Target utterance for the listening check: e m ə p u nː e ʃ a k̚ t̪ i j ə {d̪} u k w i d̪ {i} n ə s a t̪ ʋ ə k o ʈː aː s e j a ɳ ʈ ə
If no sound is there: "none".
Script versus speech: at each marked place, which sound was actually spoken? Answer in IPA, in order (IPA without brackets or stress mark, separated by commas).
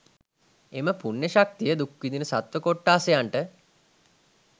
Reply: d̪, i